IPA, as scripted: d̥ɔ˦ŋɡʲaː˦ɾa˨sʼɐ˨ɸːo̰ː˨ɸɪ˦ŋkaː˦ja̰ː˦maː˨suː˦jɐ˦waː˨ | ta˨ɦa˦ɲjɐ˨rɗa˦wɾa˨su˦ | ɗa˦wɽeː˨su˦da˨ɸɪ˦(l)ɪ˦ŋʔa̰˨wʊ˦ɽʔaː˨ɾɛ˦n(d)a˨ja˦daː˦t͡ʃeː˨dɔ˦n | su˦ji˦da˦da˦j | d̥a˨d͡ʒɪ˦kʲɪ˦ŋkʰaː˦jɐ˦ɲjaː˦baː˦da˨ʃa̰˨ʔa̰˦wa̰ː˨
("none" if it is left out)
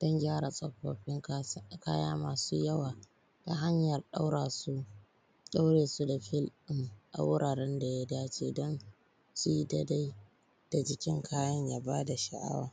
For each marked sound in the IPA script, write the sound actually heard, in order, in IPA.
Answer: l, d

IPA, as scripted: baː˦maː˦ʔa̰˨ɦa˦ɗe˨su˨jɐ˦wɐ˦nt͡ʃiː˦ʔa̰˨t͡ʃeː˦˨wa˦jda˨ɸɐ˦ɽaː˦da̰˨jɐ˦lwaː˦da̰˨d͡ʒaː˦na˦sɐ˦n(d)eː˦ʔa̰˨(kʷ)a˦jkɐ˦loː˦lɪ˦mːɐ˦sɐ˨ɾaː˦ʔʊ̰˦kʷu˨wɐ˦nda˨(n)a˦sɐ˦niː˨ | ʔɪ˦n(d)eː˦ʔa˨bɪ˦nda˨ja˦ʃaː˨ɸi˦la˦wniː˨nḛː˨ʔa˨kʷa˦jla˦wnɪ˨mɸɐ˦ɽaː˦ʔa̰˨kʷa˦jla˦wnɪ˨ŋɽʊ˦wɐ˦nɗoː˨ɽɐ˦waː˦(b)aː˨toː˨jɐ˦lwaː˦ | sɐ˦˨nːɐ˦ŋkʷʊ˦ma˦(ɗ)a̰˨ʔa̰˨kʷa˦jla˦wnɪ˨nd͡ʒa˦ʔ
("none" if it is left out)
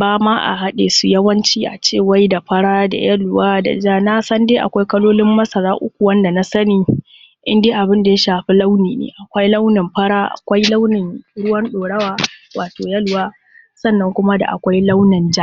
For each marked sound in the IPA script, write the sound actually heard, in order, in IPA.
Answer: d, kʷ, n, d, w, d

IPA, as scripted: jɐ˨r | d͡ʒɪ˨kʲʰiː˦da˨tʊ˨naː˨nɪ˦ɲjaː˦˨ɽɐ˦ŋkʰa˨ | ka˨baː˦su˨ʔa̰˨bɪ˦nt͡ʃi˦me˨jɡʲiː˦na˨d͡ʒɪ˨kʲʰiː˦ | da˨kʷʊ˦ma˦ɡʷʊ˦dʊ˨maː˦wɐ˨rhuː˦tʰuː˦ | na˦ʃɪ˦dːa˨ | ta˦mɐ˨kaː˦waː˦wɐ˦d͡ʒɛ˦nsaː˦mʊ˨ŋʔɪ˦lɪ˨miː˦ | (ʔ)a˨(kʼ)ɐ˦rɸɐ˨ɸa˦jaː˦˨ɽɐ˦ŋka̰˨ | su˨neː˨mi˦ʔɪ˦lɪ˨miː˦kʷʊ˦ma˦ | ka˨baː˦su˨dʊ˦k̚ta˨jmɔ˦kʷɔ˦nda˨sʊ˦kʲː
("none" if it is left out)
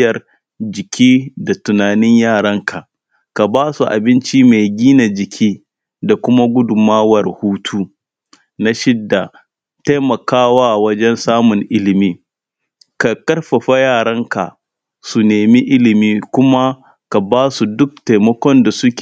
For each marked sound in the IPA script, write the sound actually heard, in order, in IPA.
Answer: k, k

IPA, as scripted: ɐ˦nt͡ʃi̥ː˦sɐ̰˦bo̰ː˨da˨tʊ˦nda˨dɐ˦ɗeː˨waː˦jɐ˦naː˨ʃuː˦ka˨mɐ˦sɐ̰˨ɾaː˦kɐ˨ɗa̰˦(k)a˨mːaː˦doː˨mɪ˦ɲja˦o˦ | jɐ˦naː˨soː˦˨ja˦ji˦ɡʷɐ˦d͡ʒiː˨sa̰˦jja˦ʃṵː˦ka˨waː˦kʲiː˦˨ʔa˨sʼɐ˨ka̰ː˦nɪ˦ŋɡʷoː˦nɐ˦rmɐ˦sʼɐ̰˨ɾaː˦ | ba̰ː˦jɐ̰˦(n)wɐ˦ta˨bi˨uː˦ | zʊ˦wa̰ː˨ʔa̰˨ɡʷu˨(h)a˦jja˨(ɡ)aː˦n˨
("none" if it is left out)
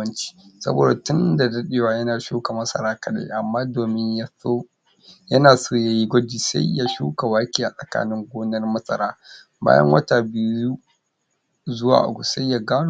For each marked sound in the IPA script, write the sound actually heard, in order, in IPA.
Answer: ʔ, ŋ, s, ɡ

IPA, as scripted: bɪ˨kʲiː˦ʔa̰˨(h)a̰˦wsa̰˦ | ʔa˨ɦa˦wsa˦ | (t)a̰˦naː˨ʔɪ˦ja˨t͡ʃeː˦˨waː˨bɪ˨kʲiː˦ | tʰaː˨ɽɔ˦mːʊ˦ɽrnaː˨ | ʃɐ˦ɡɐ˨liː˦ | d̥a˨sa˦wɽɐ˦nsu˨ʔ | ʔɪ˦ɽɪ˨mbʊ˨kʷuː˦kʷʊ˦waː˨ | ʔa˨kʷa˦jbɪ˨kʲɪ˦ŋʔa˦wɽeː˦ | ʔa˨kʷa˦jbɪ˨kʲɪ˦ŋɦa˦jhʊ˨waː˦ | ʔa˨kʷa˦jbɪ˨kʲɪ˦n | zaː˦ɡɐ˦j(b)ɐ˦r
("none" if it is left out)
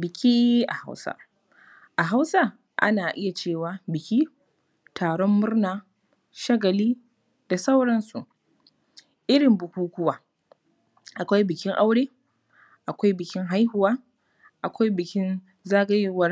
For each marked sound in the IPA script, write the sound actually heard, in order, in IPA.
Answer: h, ʔ, w

